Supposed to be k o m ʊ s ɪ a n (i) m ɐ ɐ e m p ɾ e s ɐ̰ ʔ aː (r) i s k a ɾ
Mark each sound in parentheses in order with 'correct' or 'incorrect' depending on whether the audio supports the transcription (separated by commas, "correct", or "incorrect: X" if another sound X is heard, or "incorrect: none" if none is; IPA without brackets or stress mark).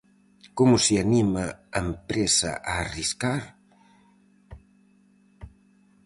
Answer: correct, correct